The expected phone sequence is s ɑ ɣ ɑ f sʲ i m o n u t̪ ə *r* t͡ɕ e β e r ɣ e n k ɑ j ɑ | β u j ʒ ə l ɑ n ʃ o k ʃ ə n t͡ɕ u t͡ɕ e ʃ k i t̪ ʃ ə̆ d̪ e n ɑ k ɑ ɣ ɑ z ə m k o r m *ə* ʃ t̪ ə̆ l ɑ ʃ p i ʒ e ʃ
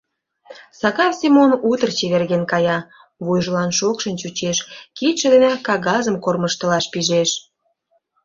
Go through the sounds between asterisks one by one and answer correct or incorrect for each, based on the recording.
correct, correct

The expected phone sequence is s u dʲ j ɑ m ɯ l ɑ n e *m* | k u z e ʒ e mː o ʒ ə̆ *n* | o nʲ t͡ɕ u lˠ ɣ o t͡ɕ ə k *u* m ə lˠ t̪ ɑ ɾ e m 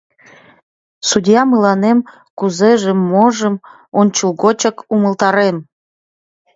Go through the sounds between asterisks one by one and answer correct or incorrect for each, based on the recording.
correct, incorrect: m, correct

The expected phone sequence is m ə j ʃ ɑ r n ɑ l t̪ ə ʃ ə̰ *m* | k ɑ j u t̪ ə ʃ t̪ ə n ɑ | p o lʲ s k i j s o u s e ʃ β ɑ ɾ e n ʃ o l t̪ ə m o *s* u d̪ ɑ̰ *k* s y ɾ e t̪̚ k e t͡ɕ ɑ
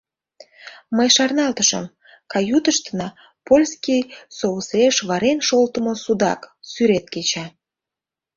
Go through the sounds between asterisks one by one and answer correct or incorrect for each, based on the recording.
correct, correct, correct

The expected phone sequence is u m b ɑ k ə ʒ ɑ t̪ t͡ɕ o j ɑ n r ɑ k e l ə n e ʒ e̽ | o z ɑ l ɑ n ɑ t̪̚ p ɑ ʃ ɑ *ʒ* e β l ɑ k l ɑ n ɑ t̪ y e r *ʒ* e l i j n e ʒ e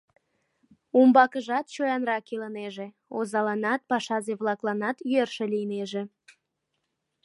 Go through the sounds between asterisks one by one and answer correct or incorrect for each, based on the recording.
incorrect: z, incorrect: ʃ

